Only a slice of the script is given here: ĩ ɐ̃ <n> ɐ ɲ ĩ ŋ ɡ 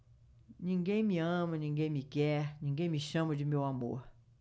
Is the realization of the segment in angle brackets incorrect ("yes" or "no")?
yes